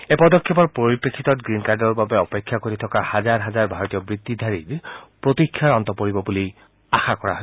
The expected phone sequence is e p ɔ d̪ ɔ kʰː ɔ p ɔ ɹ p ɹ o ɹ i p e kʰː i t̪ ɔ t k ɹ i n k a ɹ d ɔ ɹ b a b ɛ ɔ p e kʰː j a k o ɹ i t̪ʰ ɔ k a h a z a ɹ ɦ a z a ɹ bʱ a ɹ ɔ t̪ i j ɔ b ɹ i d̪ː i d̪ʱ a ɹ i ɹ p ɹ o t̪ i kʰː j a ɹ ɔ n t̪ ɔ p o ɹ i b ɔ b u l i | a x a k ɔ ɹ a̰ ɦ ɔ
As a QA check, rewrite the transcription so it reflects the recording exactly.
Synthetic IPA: e p ɔ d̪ ɔ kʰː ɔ p ɔ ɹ p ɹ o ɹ i p e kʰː i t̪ ɔ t ɡ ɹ i n k a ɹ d ɔ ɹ b a b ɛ ɔ p e kʰː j a k o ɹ i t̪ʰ ɔ k a h a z a ɹ ɦ a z a ɹ bʱ a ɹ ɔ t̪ i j ɔ b ɹ i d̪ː i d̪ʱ a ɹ i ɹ p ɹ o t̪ i kʰː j a ɹ ɔ n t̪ ɔ p o ɹ i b ɔ b u l i | a x a k ɔ ɹ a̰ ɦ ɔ

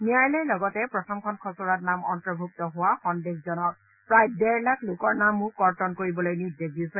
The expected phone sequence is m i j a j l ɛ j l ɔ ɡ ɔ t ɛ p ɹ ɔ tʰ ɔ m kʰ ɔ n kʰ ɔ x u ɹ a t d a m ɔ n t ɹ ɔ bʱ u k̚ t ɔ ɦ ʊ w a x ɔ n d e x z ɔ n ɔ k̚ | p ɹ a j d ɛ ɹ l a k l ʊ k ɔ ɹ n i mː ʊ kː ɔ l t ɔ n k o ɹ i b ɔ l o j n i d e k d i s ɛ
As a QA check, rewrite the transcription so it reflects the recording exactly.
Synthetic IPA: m i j a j l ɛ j l ɔ ɡ ɔ t ɛ p ɹ ɔ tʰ ɔ m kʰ ɔ n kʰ ɔ s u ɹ a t n a m ɔ n t ɹ ɔ bʱ u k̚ t ɔ ɦ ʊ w a x ɔ n d e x z ɔ n ɔ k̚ | p ɹ a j d ɛ ɹ l a k l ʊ k ɔ ɹ n a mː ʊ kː ɔ ɹ t ɔ n k o ɹ i b ɔ l o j n i d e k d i s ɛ

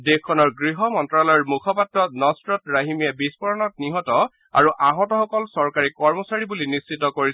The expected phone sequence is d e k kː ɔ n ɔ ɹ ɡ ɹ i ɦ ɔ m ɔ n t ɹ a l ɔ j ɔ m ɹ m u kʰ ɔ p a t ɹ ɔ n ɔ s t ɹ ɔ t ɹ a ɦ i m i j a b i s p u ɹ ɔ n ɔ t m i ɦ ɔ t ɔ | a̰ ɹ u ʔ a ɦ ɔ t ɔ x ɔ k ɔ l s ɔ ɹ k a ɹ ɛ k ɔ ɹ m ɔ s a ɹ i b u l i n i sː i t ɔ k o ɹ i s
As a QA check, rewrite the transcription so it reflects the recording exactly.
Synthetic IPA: d e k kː ɔ n ɔ ɹ ɡ ɹ i ɦ ɔ m ɔ n t ɹ a l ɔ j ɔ ɹ m u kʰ ɔ p a t ɹ ɔ n ɔ s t ɹ ɔ t ɹ a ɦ i m i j a b i s p ɔ ɹ ɔ n ɔ t n i ɦ ɔ t ɔ | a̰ ɹ u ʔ a ɦ ɔ t ɔ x ɔ k ɔ l s ɔ ɹ k a ɹ i k ɔ ɹ m ɔ s a ɹ i b u l i n i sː i t ɔ k o ɹ i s

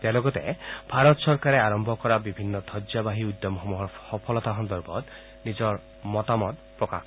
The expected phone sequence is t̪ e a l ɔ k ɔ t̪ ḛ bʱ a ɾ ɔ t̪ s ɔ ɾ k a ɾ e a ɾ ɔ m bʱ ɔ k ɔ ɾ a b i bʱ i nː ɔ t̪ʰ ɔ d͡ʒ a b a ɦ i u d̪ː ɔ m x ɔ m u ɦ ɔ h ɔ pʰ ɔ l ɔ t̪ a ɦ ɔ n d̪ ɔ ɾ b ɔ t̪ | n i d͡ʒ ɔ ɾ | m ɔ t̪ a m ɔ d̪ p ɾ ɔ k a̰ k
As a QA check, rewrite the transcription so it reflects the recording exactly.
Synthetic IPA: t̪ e a l ɔ ɡ ɔ t̪ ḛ bʱ a ɾ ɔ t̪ s ɔ ɾ k a ɾ e a ɾ ɔ m bʱ ɔ k ɔ ɾ a b i bʱ i nː ɔ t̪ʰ ɔ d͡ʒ a b a ɦ i u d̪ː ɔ m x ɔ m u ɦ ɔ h ɔ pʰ ɔ l ɔ t̪ a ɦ ɔ n d̪ ɔ ɾ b ɔ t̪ | n i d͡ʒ ɔ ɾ | m ɔ t̪ a m ɔ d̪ p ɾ ɔ k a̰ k

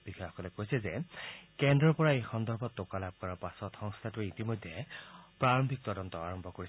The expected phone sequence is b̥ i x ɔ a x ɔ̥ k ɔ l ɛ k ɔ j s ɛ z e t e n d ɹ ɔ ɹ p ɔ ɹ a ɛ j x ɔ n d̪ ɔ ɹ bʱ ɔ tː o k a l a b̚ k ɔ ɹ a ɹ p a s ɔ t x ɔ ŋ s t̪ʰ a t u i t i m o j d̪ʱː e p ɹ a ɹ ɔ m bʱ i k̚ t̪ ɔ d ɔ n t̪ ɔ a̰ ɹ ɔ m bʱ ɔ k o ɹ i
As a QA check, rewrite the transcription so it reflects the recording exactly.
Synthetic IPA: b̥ i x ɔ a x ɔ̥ k ɔ l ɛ k o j s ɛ z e k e n d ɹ ɔ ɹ p ɔ ɹ a e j x ɔ n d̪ ɔ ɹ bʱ ɔ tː o k a l a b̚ k ɔ ɹ a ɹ p a s ɔ t x ɔ ŋ s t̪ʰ a t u i t i m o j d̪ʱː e p ɹ a ɹ ɔ m bʱ i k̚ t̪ ɔ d ɔ n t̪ ɔ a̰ ɹ ɔ m bʱ ɔ k o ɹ i

